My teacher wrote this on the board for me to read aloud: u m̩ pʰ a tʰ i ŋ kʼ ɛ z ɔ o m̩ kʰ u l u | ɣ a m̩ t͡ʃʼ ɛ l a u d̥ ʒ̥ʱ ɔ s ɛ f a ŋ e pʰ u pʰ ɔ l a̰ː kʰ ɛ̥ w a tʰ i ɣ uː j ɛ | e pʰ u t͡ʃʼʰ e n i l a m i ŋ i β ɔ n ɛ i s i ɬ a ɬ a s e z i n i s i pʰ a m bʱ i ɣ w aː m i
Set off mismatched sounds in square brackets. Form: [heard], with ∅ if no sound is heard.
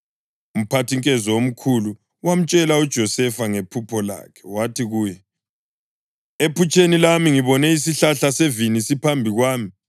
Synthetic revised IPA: u m̩ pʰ a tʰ i ŋ kʼ ɛ z ɔ o m̩ kʰ u l u | [w] a m̩ t͡ʃʼ ɛ l a u d̥ ʒ̥ʱ ɔ s ɛ f a ŋ e pʰ u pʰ ɔ l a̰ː kʰ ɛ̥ w a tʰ i ɣ uː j ɛ | e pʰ u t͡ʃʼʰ e n i l a m i ŋ i β ɔ n ɛ i s i ɬ a ɬ a s e [v] i n i s i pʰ a m bʱ i ɣ w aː m i